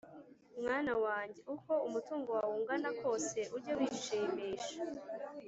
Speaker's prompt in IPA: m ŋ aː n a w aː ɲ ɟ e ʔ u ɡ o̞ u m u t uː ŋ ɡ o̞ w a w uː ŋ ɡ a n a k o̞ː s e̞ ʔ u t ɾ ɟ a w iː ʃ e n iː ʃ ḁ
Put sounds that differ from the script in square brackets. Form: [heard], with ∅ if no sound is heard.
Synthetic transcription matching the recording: m ŋ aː n a w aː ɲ ɟ e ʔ u [k] o̞ u m u t uː ŋ ɡ o̞ w a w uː ŋ ɡ a n a k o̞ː s e̞ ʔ u [∅] ɾ ɟ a w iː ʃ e [m] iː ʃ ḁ